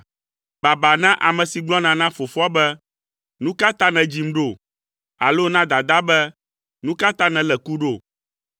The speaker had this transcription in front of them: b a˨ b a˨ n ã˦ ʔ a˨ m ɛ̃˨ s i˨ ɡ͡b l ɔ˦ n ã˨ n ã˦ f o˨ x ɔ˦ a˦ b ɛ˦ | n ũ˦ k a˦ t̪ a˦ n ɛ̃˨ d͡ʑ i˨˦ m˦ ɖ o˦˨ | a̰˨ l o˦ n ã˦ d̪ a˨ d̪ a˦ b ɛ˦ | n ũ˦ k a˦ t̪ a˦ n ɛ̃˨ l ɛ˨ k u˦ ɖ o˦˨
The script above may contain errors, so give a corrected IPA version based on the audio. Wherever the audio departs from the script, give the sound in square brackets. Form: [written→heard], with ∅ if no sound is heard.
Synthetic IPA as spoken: b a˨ b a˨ n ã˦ ʔ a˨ m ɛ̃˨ s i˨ ɡ͡b l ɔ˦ n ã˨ n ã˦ f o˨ [x→f] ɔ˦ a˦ b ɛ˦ | n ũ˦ k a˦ t̪ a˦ n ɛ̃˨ d͡ʑ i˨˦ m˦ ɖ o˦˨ | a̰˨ l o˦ n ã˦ d̪ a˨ d̪ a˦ b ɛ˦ | n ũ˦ k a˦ t̪ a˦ n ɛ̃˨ l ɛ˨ k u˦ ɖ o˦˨